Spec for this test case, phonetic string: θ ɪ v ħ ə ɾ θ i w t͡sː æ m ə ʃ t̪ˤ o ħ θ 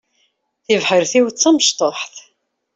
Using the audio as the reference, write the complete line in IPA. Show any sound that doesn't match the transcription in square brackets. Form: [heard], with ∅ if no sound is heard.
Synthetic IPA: θ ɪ v ħ ə ɾ θ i w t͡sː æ m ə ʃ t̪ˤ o ħ θ